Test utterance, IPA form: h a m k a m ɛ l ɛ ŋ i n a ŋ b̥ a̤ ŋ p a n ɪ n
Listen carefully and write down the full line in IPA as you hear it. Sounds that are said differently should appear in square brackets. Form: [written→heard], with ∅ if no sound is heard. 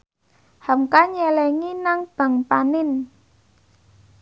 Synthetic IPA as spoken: h a m k a [m→ɲ] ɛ l ɛ ŋ i n a ŋ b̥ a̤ ŋ p a n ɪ n